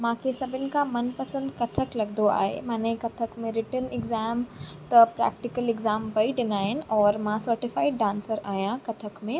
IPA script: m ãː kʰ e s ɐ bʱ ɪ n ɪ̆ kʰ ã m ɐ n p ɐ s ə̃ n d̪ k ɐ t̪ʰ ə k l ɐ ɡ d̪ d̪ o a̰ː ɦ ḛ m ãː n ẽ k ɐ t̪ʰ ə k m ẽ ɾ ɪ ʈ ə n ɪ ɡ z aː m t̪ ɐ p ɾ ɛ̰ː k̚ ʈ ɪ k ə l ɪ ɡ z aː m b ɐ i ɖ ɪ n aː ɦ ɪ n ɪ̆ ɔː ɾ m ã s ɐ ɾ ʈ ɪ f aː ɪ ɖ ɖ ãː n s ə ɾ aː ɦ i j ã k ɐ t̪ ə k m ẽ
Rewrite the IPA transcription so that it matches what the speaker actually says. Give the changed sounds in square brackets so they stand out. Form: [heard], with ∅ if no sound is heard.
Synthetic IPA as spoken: m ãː kʰ e s ɐ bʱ ɪ n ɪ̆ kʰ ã m ɐ n p ɐ s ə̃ n d̪ k ɐ t̪ʰ ə k l ɐ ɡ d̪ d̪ o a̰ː ɦ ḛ m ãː n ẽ k ɐ t̪ʰ ə k m ẽ ɾ ɪ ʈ ə n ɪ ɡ z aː m t̪ ɐ p ɾ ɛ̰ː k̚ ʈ ɪ k ə l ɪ ɡ z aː m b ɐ i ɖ ɪ n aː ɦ ɪ n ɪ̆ ɔː ɾ m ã s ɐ ɾ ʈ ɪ f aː ɪ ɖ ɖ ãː n s ə ɾ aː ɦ i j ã k ɐ [t̪ʰ] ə k m ẽ